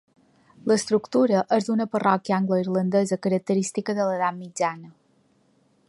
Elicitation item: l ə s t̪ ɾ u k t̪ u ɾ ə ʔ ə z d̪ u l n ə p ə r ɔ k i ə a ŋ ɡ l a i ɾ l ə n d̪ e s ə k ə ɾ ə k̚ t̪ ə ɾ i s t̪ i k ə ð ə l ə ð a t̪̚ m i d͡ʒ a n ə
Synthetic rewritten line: l ə s t̪ ɾ u k t̪ u ɾ ə ʔ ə z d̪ u n ə p ə r ɔ k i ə a ŋ ɡ l ə i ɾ l ə n d̪ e z ə k ə ɾ ə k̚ t̪ ə ɾ i s t̪ i k ə ð ə l ə ð a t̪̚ m i d͡ʒ a n ə